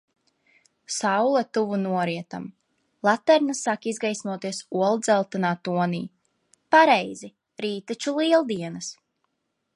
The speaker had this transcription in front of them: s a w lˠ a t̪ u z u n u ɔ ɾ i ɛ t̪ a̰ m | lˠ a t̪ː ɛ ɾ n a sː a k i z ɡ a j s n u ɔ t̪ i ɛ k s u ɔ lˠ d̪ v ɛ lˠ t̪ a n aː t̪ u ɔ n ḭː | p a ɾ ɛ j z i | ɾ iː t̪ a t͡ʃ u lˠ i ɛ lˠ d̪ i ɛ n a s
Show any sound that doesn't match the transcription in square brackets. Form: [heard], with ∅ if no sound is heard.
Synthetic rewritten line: s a w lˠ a t̪ u [v] u n u ɔ ɾ i ɛ t̪ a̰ m | lˠ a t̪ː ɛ ɾ n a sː a k i z ɡ a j s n u ɔ t̪ i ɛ [∅] s u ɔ lˠ d̪ [z] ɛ lˠ t̪ a n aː t̪ u ɔ n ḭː | p a ɾ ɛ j z i | ɾ iː t̪ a t͡ʃ u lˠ i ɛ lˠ d̪ i ɛ n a s